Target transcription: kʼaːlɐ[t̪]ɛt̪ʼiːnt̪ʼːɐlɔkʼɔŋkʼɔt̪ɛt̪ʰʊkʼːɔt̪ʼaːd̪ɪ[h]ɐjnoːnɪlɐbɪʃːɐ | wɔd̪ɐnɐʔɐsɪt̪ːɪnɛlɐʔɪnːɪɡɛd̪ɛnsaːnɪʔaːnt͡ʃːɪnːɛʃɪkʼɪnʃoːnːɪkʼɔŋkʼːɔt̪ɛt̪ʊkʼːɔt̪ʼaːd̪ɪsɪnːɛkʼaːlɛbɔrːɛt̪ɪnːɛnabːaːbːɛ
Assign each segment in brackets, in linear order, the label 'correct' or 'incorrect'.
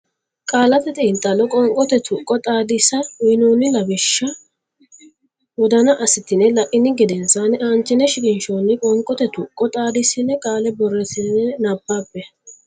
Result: correct, incorrect: s

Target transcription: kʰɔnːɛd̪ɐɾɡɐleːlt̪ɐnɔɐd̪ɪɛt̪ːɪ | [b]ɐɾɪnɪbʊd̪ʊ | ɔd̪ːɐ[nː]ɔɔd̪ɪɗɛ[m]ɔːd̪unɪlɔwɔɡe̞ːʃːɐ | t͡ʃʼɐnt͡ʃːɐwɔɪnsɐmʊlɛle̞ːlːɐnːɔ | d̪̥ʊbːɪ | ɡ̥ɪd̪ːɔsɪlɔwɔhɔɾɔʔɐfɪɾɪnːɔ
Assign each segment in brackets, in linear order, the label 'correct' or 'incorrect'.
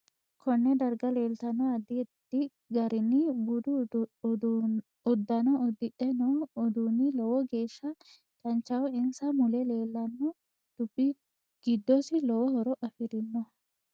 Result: incorrect: ɡ, incorrect: n, incorrect: n

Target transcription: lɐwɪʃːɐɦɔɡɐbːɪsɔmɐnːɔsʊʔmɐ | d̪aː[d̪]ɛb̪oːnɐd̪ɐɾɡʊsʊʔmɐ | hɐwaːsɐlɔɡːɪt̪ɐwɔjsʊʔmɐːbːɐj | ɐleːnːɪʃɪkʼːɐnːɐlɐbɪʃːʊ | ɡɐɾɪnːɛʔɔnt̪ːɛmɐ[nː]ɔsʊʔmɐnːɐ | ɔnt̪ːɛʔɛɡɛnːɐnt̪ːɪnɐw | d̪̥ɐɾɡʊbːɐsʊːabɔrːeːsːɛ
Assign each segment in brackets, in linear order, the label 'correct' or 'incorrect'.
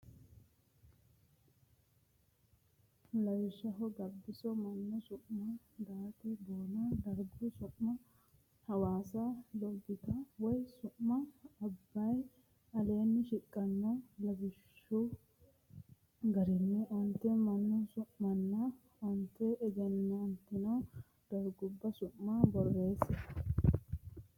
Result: incorrect: t̪, correct

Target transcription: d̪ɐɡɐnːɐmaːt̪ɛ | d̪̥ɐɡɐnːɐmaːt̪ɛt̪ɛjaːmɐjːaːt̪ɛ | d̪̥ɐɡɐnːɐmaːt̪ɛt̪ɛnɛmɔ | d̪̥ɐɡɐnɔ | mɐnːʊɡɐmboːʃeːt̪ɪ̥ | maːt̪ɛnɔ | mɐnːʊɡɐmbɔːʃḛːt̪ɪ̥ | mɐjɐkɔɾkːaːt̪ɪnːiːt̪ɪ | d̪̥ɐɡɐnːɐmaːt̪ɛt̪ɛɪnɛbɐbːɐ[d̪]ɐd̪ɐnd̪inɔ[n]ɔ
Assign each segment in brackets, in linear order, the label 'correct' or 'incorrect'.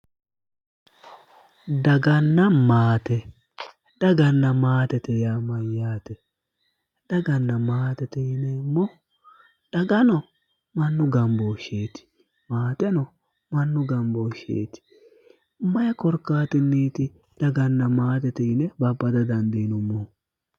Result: correct, incorrect: m

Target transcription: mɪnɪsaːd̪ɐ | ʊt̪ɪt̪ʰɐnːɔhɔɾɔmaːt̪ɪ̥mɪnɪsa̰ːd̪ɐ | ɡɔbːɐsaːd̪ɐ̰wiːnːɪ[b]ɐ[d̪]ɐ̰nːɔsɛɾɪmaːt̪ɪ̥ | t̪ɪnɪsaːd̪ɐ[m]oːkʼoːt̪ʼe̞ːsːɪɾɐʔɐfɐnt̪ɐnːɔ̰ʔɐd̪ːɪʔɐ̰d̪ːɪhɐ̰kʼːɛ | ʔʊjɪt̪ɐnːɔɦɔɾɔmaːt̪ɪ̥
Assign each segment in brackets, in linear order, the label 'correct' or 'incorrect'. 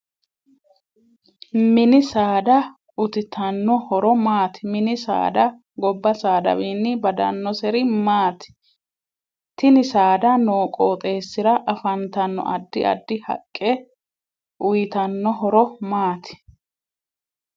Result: correct, correct, incorrect: n

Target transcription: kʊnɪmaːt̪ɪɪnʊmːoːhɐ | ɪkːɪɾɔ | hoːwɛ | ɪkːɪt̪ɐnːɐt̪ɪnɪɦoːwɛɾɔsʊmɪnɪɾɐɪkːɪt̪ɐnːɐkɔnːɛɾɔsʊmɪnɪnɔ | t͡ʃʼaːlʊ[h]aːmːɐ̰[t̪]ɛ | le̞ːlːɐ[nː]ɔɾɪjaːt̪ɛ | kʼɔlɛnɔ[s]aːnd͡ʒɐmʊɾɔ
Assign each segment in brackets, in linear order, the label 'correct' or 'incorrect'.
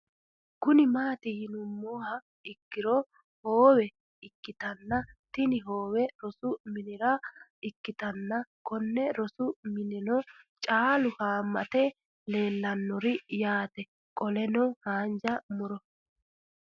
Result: correct, correct, correct, incorrect: h

